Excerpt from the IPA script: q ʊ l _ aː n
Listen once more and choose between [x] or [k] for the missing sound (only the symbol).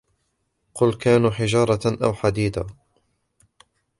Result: k